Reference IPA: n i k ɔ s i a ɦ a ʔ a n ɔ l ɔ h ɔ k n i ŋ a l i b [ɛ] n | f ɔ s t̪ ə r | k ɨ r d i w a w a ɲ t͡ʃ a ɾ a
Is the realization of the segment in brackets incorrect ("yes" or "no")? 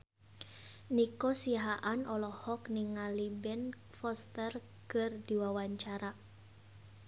no